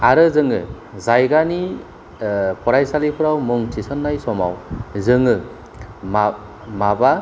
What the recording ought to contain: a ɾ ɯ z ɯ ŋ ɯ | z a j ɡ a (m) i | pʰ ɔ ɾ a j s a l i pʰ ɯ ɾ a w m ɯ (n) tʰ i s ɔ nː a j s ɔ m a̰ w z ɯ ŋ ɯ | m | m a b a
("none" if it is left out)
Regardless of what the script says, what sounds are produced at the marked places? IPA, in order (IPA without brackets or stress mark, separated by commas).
n, ŋ